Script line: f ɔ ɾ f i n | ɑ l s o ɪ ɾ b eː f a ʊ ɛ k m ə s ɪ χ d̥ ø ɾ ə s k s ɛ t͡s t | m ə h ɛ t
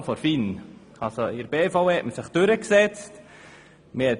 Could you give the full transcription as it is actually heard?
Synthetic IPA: f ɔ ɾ f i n | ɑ l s o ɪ ɾ b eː f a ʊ ɛ t m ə s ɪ χ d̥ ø ɾ ə k s ɛ t͡s t | m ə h ɛ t

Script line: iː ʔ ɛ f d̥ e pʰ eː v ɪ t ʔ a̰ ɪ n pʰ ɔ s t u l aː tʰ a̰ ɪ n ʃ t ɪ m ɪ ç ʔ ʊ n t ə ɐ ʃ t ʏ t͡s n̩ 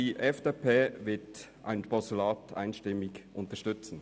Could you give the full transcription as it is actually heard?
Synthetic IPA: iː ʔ ɛ f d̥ e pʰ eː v ɪ t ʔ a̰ ɪ n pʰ ɔ s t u l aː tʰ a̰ ɪ n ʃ t ɪ m ɪ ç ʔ ʊ n t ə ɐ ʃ t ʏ t͡s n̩

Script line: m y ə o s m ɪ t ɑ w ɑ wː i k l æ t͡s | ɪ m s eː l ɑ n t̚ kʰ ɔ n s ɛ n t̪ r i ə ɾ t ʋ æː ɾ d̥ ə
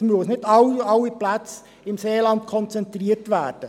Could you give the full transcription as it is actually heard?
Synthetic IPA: m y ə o s n ɪ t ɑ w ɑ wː i p l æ t͡s | ɪ m s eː l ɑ n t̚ kʰ ɔ n t͡s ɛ n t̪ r i ə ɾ t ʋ æː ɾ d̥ ə

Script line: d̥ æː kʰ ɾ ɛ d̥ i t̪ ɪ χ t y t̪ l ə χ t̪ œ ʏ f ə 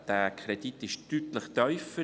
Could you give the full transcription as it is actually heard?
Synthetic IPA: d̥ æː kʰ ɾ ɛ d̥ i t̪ ɪ ʃ t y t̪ l ə χ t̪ œ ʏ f ə

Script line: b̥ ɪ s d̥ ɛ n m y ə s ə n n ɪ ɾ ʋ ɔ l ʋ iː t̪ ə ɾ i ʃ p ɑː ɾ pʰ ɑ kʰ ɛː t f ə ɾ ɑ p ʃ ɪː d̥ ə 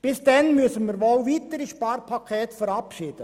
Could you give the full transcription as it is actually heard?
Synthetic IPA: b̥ ɪ s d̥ ɛ n m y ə s ə n m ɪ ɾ ʋ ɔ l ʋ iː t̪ ə ɾ i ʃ p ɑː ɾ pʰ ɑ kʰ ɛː t f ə ɾ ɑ p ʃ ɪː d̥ ə

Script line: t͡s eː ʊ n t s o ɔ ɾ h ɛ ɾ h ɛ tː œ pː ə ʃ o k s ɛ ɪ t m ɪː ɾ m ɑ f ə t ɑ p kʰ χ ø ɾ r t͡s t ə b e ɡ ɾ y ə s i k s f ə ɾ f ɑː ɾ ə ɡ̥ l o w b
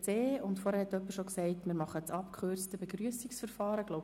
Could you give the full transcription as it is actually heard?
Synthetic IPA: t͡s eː ʊ n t f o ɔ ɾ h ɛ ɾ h ɛ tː œ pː ə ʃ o k s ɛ ɪ t m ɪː ɾ m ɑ χ ə t͡s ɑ p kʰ χ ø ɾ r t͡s t ə b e ɡ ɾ y ə s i k s f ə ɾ f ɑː ɾ ə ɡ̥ l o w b

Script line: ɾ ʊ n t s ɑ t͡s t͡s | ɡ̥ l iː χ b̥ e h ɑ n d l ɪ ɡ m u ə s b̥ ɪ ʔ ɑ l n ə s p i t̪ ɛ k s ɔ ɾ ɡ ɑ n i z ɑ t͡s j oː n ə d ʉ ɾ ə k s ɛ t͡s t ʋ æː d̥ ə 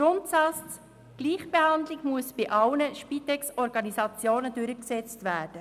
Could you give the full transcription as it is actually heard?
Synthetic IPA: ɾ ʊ n t s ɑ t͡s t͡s | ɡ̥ l iː χ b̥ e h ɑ n d l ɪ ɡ m u ə s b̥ ɪ ʔ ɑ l n ə ʃ p i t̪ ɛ k s ɔ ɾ ɡ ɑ n i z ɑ t͡s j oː n ə d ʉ ɾ ə k s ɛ t͡s t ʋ æː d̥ ə

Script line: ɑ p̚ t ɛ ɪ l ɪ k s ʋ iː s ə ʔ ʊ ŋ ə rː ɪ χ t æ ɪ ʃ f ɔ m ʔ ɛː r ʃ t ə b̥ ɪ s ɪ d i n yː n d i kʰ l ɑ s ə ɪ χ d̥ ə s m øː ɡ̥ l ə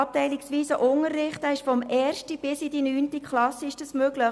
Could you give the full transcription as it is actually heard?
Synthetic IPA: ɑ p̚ t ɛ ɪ l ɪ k s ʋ iː s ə ʔ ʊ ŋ ə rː ɪ χ t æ ɪ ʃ f ɔ m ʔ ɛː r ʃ t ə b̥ ɪ s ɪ d i n yː n t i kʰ l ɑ s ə ɪ ʃ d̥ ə s m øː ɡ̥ l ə

